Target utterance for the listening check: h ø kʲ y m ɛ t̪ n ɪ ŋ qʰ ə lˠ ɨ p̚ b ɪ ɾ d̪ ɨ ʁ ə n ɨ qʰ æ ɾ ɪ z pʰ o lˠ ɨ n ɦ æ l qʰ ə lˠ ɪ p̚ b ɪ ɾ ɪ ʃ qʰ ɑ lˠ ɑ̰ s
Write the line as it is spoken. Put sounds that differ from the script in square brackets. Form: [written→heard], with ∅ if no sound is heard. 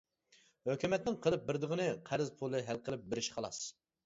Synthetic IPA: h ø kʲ y m ɛ t̪ n ɪ ŋ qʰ ə lˠ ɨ p̚ b ɪ ɾ d̪ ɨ ʁ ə n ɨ qʰ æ ɾ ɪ z pʰ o lˠ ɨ [n→∅] ɦ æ l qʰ ə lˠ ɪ p̚ b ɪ ɾ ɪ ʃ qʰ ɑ lˠ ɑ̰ s